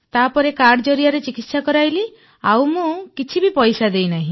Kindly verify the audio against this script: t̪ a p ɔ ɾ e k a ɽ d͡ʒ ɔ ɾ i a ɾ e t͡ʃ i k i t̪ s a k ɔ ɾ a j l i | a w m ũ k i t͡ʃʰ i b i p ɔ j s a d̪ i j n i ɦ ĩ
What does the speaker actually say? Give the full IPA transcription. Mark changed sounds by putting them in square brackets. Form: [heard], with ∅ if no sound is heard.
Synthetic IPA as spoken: t̪ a p ɔ ɾ e k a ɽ d͡ʒ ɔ ɾ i a ɾ e t͡ʃ i k i t̪ s a k ɔ ɾ a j l i | a w m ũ k i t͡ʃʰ i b i p ɔ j s a d̪ [e] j n [a] ɦ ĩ

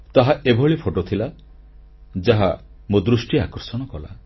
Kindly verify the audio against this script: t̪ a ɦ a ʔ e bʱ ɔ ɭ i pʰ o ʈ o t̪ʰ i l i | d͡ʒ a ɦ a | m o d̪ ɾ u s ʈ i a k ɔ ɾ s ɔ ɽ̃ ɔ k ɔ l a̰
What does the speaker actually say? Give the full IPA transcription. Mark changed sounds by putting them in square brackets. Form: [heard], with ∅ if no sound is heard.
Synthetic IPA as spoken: t̪ a ɦ a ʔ e bʱ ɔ ɭ i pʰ o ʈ o t̪ʰ i l [a] | d͡ʒ a ɦ a | m o d̪ ɾ u s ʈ i a k ɔ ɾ s ɔ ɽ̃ ɔ k ɔ l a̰

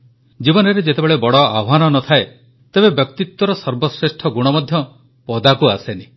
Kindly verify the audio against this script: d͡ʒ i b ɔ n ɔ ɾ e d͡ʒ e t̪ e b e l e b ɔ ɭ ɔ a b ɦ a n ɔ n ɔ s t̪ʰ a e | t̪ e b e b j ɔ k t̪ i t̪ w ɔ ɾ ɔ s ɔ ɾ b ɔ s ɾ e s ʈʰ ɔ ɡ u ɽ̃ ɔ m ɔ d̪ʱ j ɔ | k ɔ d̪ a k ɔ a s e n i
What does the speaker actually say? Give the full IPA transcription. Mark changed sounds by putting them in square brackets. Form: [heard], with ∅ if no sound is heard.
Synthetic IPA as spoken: d͡ʒ i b ɔ n ɔ ɾ e d͡ʒ e t̪ e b e [ɭ] e b ɔ [ɽ] ɔ a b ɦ a n ɔ n ɔ [∅] t̪ʰ a e | t̪ e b e b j ɔ k t̪ i t̪ w ɔ ɾ ɔ s ɔ ɾ b ɔ s ɾ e s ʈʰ ɔ ɡ u ɽ̃ ɔ m ɔ d̪ʱ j ɔ | [p] ɔ d̪ a k [u] a s e n i

